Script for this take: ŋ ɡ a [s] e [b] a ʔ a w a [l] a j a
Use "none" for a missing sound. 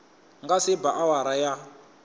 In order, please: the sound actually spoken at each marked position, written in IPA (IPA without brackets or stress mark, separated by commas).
s, b, ɾ